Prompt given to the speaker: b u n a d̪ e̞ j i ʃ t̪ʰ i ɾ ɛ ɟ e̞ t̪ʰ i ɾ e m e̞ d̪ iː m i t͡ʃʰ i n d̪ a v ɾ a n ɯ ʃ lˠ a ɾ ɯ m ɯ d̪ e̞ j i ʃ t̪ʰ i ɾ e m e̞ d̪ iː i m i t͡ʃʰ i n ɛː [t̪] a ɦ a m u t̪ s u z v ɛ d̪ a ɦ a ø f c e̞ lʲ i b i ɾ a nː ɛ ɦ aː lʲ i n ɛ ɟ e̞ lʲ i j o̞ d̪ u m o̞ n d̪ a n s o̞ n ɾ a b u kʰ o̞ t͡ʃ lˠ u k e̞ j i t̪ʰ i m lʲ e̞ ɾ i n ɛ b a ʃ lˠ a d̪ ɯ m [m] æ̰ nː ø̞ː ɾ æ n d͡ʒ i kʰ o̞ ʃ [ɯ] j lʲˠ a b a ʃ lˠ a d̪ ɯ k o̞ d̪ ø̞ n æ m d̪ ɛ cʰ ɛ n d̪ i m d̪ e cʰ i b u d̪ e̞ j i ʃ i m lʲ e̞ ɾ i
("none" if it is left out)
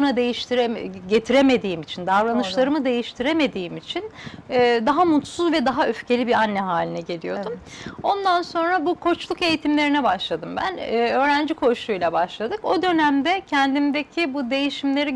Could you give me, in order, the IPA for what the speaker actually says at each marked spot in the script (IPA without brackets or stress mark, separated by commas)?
d̪, b, u